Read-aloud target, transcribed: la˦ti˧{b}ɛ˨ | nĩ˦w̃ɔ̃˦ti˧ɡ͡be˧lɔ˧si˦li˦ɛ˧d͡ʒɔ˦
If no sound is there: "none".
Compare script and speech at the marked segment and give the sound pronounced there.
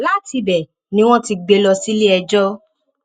b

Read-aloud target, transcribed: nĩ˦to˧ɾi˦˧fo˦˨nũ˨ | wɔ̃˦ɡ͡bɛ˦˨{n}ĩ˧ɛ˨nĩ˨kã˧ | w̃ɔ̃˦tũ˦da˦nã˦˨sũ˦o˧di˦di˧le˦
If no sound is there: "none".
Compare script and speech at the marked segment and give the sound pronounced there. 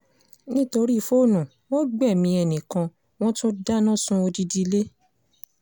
m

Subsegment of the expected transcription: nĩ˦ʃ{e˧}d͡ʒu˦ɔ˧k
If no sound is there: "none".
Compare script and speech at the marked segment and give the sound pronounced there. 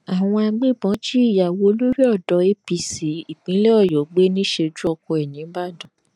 e˧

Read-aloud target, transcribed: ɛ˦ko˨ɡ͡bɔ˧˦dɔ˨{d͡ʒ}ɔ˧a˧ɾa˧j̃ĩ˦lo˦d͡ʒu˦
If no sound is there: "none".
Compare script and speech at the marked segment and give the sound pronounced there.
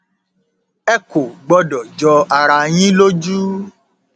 d͡ʒ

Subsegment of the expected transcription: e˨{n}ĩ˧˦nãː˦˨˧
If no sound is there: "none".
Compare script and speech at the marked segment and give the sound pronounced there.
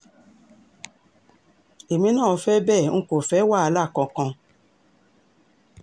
m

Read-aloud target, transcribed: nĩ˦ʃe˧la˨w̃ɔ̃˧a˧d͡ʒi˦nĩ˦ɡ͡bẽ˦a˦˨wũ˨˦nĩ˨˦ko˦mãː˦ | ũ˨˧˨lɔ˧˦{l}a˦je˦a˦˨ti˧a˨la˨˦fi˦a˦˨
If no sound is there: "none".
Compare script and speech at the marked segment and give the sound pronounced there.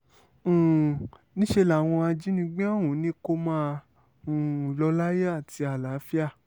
l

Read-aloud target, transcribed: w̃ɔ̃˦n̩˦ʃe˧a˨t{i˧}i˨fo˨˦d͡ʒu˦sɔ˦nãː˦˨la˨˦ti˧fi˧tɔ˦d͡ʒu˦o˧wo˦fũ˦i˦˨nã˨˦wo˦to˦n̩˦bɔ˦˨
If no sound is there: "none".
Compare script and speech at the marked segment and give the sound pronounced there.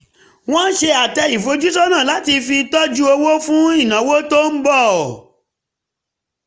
ɛ˧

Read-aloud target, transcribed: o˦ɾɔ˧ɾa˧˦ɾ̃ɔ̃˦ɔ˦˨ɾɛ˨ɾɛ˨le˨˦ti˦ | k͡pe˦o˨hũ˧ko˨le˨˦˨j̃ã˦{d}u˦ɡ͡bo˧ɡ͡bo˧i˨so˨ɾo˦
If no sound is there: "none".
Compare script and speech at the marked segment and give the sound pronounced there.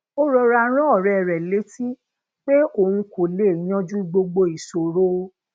d͡ʒ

